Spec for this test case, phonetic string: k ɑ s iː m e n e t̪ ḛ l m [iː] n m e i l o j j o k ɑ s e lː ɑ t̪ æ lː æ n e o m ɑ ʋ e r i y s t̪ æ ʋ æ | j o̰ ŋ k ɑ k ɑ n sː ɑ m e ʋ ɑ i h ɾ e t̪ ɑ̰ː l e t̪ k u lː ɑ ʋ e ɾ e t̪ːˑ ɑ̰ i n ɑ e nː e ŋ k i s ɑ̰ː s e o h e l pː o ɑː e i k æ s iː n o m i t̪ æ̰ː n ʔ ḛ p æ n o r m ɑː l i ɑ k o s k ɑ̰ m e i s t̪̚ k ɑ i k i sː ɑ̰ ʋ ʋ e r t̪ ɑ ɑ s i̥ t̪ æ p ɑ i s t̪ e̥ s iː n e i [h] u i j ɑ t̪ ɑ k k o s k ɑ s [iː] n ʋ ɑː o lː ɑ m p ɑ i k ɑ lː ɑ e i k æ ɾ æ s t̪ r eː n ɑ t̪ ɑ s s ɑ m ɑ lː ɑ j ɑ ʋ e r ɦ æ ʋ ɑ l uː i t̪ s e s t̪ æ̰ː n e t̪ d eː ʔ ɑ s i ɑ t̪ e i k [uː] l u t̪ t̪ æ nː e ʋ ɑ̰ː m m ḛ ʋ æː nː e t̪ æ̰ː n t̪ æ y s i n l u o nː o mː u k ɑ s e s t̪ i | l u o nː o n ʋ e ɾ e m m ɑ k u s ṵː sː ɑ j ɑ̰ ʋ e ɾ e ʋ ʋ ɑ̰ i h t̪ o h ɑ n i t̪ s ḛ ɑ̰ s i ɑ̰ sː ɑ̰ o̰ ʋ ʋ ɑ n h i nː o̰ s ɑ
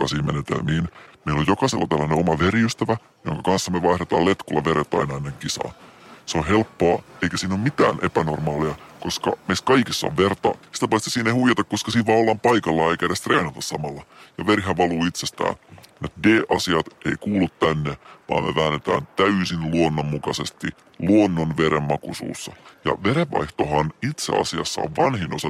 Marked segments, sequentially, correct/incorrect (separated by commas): correct, correct, correct, correct